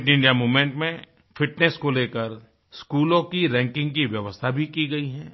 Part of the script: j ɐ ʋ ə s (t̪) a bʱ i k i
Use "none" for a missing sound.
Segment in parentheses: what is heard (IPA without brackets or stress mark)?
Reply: t̪ʰ